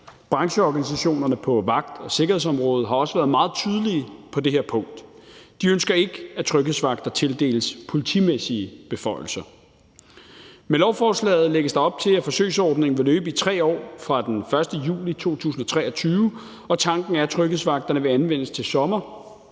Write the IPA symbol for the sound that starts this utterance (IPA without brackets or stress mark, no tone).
b̥